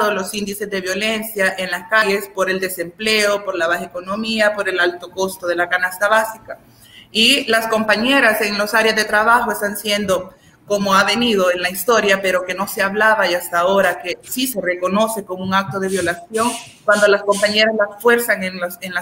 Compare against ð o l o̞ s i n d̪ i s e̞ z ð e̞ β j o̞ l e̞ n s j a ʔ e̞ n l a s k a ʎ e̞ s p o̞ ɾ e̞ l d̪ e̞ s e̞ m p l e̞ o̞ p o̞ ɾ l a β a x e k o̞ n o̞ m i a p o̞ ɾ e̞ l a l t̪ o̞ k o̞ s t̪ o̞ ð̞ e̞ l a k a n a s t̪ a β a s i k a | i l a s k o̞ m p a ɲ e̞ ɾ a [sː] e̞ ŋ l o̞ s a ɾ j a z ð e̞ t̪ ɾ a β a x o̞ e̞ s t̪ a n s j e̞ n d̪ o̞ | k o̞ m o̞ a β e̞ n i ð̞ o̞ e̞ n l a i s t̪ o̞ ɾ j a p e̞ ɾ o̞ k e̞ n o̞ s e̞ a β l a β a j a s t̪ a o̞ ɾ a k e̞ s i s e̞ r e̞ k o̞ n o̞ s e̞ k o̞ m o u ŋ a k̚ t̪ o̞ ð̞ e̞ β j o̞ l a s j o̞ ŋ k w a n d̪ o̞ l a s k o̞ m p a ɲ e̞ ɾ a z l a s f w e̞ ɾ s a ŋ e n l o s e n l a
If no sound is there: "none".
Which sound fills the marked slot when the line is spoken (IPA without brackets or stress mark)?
s